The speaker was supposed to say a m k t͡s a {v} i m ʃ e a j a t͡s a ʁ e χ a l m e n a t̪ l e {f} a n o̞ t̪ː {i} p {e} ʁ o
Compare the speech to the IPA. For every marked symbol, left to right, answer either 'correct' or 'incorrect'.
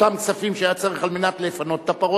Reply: incorrect: f, correct, incorrect: a, incorrect: a

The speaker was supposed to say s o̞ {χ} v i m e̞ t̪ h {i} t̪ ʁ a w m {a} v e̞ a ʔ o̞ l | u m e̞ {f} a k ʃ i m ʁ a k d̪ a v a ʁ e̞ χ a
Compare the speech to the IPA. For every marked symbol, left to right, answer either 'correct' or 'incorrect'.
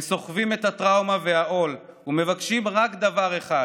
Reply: correct, incorrect: a, correct, incorrect: v

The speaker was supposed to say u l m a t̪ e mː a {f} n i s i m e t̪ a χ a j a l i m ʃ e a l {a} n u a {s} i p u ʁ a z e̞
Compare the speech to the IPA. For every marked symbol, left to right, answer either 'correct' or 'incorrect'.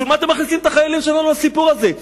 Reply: incorrect: χ, correct, correct

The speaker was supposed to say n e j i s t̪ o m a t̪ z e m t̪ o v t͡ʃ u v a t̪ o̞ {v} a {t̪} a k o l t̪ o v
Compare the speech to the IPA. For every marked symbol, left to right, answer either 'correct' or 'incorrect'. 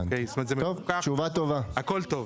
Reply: correct, incorrect: none

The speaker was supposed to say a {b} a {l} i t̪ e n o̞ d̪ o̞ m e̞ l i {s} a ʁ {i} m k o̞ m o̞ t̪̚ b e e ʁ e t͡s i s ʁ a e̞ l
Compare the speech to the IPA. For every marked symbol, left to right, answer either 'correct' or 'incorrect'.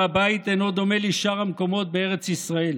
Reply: correct, incorrect: none, incorrect: ʃ, incorrect: a

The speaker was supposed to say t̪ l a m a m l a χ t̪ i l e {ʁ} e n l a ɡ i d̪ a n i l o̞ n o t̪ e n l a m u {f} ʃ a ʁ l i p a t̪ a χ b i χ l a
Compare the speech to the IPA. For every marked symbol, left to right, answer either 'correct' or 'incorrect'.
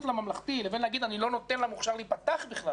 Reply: incorrect: v, incorrect: χ

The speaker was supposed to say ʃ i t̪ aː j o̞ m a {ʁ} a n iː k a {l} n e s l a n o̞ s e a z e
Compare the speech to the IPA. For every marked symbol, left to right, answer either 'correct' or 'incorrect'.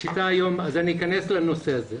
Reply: incorrect: z, incorrect: none

